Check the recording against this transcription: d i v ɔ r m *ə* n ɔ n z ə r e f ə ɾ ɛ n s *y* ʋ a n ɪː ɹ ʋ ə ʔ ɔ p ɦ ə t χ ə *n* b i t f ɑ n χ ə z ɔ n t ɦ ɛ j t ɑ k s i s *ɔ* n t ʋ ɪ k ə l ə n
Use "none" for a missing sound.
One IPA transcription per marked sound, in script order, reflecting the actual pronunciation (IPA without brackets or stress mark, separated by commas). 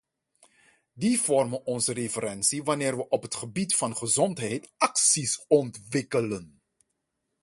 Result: ə, i, none, ɔ